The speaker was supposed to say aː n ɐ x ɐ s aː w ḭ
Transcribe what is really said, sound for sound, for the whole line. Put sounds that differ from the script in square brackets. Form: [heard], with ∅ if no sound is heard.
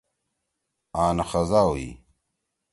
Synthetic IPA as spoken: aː n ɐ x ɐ [z] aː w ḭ